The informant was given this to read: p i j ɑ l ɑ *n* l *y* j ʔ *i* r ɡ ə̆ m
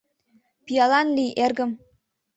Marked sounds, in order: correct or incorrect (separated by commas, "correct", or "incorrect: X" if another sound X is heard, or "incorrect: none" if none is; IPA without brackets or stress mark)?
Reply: correct, incorrect: i, incorrect: e